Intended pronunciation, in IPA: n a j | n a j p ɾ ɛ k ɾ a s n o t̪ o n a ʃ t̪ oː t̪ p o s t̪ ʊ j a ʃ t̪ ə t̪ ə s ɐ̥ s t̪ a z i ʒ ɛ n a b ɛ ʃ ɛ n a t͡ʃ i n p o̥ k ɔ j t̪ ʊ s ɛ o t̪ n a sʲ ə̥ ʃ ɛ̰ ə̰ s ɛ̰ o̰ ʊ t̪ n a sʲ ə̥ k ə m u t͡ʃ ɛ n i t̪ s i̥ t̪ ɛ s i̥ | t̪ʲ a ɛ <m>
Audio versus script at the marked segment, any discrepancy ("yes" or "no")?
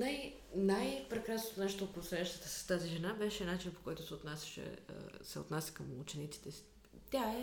yes